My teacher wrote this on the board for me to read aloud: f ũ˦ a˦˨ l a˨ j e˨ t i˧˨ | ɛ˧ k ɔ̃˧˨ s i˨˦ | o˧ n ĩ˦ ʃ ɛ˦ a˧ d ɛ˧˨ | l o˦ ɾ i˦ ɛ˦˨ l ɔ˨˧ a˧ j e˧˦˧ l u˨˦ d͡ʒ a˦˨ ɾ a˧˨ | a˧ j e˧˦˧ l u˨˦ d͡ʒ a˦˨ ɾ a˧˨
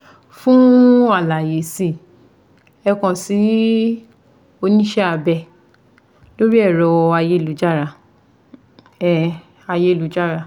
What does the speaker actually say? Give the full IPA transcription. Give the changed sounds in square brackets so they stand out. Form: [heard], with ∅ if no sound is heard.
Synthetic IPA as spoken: f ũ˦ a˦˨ l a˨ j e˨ [s] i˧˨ | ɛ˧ k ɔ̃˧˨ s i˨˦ | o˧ n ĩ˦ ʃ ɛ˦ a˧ [b] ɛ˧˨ | l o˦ ɾ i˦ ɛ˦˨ [ɾ] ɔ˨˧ a˧ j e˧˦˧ l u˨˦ d͡ʒ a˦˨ ɾ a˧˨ | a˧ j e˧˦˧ l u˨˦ d͡ʒ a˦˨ ɾ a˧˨